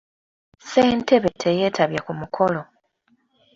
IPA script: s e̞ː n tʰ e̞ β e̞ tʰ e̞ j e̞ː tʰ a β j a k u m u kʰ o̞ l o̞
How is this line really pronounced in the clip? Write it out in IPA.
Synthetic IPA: s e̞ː n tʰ e̞ β e̞ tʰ e̞ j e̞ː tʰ a β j a k u m u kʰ o̞ l o̞